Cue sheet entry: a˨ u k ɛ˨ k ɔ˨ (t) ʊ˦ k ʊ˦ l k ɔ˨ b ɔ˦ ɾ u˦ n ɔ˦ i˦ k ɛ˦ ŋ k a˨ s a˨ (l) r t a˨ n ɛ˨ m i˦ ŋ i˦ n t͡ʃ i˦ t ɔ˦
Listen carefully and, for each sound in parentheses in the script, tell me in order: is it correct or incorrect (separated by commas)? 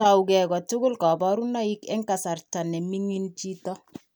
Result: correct, incorrect